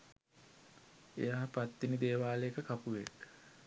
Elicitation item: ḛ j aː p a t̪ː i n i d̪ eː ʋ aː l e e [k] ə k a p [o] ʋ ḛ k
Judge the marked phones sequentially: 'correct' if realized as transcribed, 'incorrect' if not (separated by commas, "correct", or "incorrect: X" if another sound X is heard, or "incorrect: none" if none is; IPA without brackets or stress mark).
correct, incorrect: u